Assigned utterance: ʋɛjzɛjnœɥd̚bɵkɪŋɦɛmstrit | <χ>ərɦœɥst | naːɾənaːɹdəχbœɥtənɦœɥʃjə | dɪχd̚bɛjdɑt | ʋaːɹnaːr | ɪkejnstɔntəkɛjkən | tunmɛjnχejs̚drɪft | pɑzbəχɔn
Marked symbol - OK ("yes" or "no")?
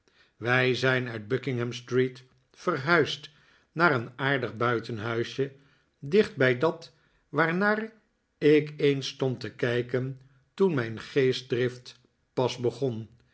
no